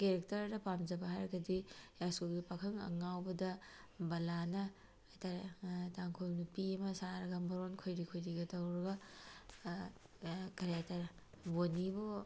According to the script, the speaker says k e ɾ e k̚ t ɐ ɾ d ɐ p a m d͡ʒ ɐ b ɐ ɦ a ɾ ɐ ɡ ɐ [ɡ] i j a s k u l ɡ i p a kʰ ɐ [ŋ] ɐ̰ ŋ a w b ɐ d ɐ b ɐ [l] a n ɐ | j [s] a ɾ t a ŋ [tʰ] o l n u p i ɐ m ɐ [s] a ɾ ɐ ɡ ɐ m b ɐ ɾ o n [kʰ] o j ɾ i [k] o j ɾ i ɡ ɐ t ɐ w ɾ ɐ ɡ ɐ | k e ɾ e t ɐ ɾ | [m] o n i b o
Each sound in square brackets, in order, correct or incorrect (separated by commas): incorrect, correct, correct, incorrect, incorrect, correct, correct, incorrect, incorrect